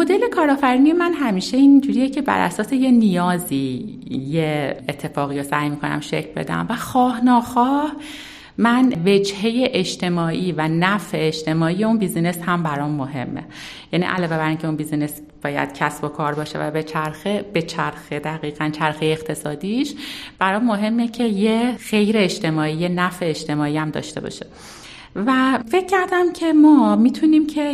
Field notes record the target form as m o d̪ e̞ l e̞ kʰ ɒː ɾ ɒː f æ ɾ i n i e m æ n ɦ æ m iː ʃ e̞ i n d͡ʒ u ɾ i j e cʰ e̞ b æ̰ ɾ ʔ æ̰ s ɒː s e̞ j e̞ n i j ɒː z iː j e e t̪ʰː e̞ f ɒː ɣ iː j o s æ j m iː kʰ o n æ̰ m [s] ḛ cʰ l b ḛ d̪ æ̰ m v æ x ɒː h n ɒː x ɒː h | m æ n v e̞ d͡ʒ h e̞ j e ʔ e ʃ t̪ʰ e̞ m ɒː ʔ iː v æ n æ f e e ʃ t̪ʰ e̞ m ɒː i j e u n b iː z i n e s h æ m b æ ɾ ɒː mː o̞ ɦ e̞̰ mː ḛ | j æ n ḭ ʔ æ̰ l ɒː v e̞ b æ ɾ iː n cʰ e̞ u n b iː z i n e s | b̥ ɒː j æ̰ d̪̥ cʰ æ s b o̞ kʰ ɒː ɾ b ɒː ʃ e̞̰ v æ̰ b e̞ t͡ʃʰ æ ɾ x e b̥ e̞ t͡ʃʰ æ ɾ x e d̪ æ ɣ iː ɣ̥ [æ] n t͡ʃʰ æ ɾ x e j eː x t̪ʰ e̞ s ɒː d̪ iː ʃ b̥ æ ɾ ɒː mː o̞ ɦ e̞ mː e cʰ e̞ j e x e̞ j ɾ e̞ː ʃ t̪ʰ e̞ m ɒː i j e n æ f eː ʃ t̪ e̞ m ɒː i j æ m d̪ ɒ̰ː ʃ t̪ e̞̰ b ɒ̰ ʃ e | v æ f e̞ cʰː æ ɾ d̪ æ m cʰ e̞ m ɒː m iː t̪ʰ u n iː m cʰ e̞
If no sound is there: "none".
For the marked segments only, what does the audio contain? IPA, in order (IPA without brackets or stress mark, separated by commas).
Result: ʃ, æ